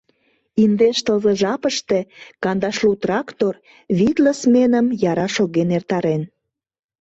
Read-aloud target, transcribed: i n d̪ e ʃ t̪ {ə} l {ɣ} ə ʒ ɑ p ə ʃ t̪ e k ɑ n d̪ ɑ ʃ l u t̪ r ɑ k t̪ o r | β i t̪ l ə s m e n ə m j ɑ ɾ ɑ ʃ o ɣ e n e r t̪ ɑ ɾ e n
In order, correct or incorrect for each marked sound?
correct, incorrect

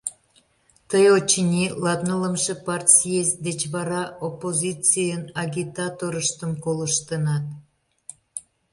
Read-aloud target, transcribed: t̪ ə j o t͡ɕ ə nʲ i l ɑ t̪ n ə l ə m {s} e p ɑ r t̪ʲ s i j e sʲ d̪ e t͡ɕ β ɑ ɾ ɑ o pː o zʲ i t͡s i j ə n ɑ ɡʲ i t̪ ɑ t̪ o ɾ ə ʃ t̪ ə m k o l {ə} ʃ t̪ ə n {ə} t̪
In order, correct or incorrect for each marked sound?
incorrect, correct, incorrect

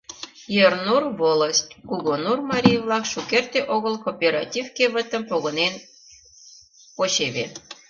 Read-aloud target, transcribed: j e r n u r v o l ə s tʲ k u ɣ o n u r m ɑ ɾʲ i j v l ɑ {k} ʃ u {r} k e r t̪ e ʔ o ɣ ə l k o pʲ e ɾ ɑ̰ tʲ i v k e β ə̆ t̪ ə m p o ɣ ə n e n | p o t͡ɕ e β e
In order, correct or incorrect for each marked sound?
correct, incorrect

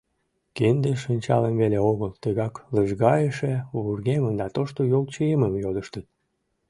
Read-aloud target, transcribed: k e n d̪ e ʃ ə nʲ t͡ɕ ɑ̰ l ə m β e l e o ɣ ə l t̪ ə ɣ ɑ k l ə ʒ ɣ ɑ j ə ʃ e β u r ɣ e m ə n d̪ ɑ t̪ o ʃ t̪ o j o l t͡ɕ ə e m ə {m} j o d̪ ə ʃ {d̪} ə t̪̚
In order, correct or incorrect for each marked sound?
correct, incorrect

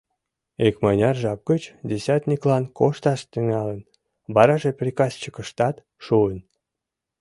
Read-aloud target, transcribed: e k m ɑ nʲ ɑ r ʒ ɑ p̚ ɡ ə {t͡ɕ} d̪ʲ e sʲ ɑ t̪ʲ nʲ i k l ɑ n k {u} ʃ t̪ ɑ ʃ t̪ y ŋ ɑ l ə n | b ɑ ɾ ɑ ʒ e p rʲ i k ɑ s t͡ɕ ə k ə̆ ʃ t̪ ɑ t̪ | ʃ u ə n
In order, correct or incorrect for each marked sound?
correct, incorrect

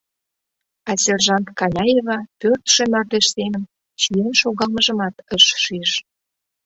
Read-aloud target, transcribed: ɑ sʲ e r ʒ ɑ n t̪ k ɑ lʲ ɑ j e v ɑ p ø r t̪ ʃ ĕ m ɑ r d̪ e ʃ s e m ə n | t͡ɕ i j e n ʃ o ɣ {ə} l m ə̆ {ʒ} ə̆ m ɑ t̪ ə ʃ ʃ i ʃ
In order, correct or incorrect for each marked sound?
incorrect, correct

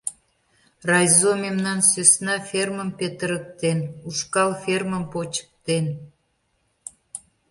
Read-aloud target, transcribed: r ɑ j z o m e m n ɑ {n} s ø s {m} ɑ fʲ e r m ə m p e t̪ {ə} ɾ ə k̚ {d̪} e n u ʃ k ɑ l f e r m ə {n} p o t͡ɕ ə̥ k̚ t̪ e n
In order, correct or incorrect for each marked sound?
correct, incorrect, correct, incorrect, incorrect

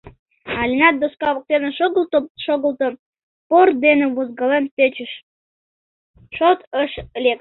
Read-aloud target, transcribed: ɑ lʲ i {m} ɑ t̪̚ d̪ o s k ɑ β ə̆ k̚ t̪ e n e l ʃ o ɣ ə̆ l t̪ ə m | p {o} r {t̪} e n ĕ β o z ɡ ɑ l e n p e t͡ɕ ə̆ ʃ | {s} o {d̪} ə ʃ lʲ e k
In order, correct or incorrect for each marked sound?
incorrect, correct, incorrect, incorrect, incorrect

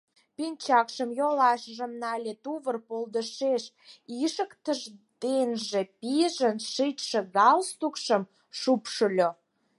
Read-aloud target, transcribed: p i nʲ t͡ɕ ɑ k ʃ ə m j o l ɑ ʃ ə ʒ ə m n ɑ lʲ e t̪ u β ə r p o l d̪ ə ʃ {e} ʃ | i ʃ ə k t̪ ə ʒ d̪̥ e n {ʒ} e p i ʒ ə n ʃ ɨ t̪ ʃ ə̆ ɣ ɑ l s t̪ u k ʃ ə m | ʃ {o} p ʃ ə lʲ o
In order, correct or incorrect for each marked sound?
correct, correct, incorrect

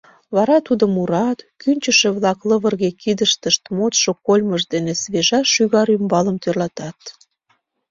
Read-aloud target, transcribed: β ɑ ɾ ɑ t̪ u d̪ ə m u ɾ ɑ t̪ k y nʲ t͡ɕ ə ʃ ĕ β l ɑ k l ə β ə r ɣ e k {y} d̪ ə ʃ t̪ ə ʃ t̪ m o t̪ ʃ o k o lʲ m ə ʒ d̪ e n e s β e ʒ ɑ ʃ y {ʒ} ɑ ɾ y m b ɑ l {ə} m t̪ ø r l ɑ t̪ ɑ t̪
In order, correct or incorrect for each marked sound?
incorrect, incorrect, correct

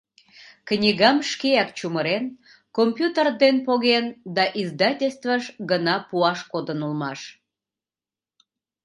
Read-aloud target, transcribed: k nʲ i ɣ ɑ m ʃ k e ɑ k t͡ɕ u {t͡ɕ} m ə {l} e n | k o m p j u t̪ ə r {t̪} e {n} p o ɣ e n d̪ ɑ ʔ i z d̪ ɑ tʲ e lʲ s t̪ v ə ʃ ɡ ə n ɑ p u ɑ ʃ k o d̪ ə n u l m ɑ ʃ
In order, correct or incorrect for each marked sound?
incorrect, incorrect, incorrect, correct

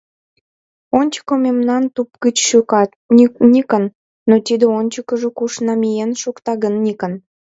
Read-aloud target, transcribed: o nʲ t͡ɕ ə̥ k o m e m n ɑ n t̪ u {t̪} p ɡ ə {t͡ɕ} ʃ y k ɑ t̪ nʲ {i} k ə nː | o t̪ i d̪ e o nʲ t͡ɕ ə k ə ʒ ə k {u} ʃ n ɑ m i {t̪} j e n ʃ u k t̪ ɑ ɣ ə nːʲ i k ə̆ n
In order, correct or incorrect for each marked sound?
incorrect, correct, correct, correct, incorrect

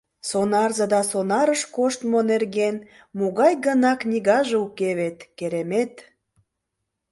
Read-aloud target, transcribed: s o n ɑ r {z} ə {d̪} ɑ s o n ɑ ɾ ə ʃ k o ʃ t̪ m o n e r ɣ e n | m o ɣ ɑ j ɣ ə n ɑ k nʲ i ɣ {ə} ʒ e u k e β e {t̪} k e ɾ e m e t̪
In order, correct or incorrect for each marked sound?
correct, correct, incorrect, correct

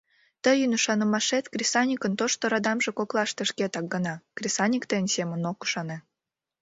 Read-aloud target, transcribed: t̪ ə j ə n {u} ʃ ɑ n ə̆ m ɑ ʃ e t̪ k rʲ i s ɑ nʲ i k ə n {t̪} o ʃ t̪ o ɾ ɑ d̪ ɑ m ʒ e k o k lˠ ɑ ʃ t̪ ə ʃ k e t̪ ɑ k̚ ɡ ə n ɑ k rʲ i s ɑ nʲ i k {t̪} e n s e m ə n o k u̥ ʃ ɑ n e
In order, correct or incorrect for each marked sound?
correct, correct, correct

